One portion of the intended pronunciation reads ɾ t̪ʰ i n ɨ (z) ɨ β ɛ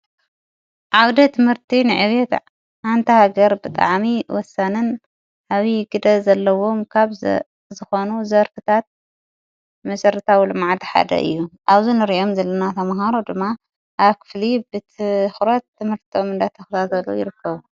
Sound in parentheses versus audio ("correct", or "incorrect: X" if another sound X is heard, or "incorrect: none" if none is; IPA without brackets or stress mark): incorrect: ʕ